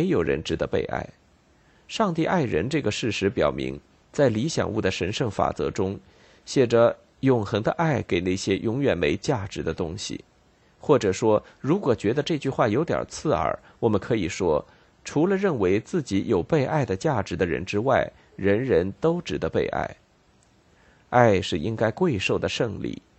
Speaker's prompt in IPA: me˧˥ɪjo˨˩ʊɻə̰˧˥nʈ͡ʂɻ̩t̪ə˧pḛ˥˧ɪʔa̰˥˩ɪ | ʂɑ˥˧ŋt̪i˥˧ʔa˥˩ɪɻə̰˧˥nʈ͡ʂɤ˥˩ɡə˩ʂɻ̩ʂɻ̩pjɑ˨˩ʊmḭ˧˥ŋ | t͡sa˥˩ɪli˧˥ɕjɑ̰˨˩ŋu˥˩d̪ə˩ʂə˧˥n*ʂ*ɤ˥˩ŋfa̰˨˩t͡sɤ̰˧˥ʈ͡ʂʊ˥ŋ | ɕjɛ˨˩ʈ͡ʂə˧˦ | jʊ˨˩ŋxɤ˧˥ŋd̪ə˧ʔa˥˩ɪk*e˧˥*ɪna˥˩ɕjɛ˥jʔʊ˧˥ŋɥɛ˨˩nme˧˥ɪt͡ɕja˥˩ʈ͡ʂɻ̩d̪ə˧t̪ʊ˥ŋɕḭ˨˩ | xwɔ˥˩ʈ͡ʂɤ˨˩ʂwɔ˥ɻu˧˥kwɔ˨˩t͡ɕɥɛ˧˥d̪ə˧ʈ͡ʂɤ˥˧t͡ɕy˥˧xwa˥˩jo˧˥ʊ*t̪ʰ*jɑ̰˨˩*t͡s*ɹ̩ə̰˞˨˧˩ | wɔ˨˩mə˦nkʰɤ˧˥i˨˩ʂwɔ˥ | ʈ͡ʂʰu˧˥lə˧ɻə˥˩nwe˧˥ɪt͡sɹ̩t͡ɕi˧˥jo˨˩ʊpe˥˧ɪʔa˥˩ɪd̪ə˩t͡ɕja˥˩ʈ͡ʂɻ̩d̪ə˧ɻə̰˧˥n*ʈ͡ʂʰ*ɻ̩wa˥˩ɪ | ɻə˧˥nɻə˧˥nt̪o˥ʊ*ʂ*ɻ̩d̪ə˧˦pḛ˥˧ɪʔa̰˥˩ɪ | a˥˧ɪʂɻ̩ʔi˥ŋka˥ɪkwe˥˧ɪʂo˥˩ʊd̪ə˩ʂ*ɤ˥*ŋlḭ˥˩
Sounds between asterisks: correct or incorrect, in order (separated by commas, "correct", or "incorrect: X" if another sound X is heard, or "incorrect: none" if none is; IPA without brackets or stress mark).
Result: correct, incorrect: e˨˩, incorrect: t̪, incorrect: t͡sʰ, incorrect: ʈ͡ʂ, incorrect: ʈ͡ʂ, incorrect: ɤ˥˧